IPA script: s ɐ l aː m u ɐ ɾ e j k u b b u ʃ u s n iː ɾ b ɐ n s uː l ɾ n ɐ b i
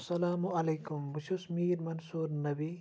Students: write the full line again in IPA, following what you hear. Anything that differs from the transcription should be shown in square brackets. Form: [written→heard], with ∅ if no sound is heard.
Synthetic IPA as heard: s ɐ l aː m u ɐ [ɾ→l] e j k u [b→m] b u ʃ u s [n→m] iː ɾ [b→m] ɐ n s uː [l→∅] ɾ n ɐ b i

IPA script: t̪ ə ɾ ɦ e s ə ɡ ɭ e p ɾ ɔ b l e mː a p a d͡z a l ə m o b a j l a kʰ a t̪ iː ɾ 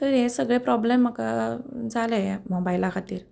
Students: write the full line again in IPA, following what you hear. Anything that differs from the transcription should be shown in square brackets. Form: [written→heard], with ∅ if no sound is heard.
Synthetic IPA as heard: t̪ ə ɾ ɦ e s ə ɡ ɭ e p ɾ ɔ b l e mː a [p→k] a d͡z a l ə m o b a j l a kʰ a t̪ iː ɾ

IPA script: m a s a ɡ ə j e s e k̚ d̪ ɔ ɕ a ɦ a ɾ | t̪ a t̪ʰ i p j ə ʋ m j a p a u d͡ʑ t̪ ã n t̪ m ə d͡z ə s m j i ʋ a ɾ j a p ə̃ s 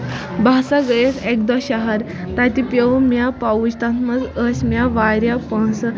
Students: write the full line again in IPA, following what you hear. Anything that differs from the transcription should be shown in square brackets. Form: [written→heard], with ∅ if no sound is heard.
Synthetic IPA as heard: [m→b] a s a ɡ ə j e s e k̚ d̪ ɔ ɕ a ɦ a ɾ | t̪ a [t̪ʰ→t̪] i p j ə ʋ m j a p a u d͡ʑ t̪ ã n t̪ m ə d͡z ə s m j [i→a] ʋ a ɾ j a p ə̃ s

